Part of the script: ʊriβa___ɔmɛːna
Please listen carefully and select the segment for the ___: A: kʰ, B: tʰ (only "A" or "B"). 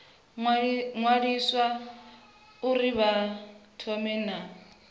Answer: B